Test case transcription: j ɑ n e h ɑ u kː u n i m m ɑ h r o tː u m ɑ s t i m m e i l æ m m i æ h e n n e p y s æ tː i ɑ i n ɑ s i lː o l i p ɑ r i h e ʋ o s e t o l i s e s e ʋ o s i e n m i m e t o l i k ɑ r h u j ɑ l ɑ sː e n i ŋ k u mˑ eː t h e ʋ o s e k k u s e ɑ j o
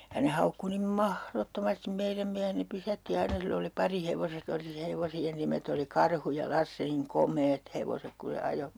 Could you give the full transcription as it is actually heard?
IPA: j ɑ n e h ɑ u kː u n i m m ɑ h r o tː o m ɑ s t i m m e i r æ m m i æ h e n n e p y s æ tː i ɑ i n ɑ s i lː o l i p ɑ r i h e ʋ o s e t o l i s e h e ʋ o s i e n n i m e t o l i k ɑ r h u j ɑ l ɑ sː e n i ŋ k o mˑ eː t h e ʋ o s e k k u s e ɑ j o